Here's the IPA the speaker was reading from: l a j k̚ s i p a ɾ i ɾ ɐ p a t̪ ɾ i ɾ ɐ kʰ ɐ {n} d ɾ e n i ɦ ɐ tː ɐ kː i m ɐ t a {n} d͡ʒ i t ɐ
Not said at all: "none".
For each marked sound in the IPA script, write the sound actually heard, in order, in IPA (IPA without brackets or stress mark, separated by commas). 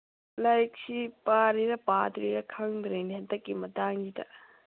ŋ, ŋ